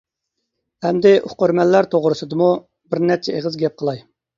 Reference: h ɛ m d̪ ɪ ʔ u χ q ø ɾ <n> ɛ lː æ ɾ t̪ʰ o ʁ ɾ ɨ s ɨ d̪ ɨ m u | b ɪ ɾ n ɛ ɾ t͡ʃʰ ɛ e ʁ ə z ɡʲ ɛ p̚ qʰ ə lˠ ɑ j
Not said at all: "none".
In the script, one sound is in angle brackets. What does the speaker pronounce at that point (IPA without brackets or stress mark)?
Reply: m